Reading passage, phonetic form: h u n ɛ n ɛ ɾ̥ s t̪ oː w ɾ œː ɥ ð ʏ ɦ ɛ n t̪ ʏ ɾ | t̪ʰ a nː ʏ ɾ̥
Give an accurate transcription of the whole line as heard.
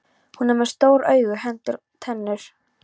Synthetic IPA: h u n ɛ m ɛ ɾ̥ s t̪ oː w ɾ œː ɥ ɣ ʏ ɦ ɛ n t̪ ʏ ɾ | t̪ʰ ɛ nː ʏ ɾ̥